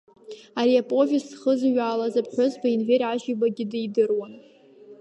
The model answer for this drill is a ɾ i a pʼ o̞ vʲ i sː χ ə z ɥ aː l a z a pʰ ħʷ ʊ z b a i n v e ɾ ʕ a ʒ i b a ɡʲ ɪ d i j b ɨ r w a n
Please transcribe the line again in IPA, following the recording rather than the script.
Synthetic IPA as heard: a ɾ i a pʼ o̞ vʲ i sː χ ə z ɥ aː l a z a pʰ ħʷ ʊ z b a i n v e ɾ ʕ a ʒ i b a ɡʲ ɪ d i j d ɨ r w a n